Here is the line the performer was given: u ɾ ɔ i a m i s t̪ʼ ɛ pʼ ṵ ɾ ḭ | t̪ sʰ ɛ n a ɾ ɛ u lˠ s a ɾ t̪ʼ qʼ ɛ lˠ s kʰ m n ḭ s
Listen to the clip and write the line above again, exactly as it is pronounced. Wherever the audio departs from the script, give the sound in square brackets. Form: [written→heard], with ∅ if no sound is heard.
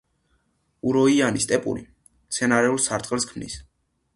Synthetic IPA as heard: u ɾ ɔ i a [m→n] i s t̪ʼ ɛ pʼ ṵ ɾ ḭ | t̪ sʰ ɛ n a ɾ ɛ u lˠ s a ɾ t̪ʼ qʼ ɛ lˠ s kʰ m n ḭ s